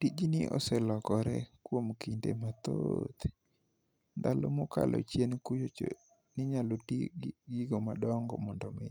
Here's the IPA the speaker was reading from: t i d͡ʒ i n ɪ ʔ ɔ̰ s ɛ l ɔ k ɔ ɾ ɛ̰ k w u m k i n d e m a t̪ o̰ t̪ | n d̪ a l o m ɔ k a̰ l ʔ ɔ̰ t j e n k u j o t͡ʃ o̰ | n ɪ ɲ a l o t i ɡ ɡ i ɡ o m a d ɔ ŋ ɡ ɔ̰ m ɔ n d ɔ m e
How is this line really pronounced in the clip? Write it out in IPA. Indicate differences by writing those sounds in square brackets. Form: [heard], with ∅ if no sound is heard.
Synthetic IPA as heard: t i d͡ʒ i n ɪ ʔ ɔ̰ s ɛ l ɔ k ɔ ɾ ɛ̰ k w [o] m k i n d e m a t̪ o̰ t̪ | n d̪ a l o m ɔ k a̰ l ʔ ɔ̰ [t͡ʃ] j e n k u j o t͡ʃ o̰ | n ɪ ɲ a l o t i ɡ ɡ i ɡ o m a d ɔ ŋ ɡ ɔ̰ m ɔ n d ɔ m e